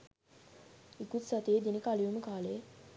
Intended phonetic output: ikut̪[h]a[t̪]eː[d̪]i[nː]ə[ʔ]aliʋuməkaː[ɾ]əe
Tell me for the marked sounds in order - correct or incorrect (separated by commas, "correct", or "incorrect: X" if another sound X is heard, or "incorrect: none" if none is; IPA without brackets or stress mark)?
incorrect: s, correct, correct, incorrect: n, incorrect: k, incorrect: l